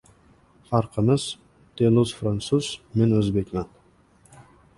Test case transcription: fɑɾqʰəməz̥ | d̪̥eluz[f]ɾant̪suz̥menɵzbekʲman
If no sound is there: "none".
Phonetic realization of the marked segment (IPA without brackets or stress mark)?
f